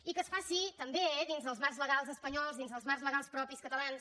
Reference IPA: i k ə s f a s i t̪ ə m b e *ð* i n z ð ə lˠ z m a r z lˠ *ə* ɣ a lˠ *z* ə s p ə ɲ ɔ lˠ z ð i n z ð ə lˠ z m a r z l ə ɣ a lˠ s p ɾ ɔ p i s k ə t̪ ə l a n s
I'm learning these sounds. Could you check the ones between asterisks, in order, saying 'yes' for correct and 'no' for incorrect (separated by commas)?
yes, yes, yes